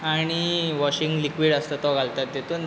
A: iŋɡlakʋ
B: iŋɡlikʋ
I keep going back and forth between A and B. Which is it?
B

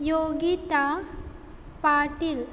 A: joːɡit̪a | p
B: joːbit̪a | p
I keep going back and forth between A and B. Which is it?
A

